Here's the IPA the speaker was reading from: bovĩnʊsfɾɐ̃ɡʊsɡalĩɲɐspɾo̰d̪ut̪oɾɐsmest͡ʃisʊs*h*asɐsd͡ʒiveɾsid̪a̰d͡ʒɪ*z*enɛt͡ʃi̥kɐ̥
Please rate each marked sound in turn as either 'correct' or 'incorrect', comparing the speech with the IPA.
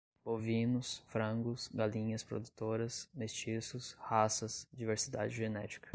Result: correct, incorrect

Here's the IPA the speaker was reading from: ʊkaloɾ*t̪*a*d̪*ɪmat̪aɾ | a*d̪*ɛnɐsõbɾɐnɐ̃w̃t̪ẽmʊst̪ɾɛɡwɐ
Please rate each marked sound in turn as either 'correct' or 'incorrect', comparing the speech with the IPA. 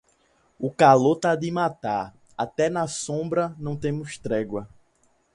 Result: correct, correct, incorrect

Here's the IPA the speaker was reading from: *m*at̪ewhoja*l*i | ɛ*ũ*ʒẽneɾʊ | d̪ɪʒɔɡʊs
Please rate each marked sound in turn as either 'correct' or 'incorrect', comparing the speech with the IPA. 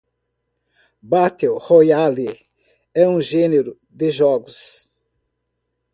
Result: incorrect, correct, correct

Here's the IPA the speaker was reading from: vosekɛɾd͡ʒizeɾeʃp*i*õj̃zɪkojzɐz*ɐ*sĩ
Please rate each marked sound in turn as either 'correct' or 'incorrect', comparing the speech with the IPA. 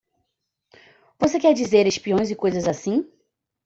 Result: correct, incorrect

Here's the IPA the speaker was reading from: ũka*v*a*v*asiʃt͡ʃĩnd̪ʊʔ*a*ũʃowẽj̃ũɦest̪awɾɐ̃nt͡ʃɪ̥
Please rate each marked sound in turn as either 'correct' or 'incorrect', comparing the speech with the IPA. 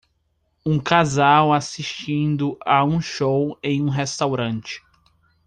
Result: incorrect, incorrect, correct

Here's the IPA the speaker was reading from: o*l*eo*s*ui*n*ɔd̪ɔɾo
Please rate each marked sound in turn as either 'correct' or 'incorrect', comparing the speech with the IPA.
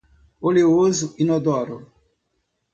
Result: correct, incorrect, correct

